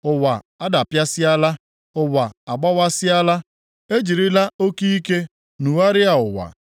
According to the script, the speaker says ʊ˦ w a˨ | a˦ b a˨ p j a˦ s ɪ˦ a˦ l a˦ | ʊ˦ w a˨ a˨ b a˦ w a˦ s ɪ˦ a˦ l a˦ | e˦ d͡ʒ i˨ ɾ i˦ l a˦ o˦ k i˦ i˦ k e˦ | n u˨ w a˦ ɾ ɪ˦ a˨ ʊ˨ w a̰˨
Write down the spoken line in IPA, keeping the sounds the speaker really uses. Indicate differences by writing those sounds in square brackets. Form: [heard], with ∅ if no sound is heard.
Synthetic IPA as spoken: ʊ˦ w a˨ | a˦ [d] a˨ p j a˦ s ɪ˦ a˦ l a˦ | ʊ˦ w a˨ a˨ [ɡ͡b] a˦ w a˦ s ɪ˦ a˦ l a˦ | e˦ d͡ʒ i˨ ɾ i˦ l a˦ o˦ k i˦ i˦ k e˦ | n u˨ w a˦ ɾ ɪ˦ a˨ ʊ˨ w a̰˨